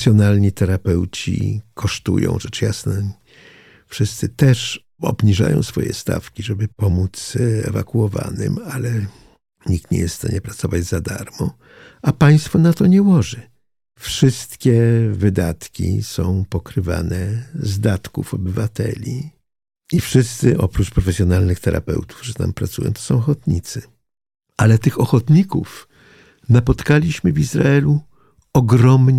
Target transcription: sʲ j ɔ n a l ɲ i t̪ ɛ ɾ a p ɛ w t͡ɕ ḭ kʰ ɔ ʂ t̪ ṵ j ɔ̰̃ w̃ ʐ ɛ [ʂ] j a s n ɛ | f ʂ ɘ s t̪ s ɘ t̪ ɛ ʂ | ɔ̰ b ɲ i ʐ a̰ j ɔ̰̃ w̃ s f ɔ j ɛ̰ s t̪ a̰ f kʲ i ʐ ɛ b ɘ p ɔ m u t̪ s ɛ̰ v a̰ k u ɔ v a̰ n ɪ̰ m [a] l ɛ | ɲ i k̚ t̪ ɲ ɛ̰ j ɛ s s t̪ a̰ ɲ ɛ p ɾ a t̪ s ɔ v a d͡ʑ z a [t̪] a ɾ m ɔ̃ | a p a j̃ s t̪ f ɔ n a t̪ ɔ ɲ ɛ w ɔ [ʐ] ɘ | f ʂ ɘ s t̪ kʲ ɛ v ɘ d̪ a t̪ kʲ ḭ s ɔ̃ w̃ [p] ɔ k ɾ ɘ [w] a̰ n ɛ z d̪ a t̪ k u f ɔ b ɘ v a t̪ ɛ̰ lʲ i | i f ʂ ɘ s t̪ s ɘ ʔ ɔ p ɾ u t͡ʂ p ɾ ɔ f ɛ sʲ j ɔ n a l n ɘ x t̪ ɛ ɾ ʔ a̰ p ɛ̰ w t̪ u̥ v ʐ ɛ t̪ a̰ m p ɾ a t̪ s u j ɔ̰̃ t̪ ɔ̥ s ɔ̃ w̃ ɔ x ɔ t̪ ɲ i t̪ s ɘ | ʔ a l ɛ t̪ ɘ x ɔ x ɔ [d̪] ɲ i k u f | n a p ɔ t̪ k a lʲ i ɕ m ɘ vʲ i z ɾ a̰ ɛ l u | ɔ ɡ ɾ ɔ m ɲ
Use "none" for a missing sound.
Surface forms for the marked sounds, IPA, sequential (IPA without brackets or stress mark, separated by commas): t͡ʂ, a, d̪, ʐ, p, v, t̪